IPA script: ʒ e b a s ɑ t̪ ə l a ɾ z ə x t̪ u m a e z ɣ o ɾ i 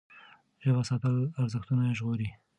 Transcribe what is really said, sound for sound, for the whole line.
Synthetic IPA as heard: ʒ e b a s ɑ t̪ ə l a ɾ z ə x t̪ u n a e ʒ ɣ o ɾ i